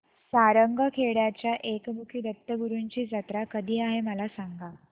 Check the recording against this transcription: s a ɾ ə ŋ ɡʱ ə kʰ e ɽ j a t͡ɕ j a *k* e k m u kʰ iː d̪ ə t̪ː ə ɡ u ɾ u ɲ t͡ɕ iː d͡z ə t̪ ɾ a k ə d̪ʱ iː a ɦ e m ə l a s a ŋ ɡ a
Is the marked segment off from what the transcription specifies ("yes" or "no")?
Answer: yes